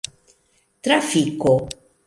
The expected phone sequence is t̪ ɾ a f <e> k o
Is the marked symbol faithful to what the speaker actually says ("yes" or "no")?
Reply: no